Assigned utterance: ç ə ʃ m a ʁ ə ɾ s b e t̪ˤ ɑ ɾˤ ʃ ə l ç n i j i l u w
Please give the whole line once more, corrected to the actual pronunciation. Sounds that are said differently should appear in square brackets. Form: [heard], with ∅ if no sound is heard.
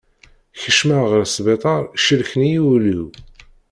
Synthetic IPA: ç ə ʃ m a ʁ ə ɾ s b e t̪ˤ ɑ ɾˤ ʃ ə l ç n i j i l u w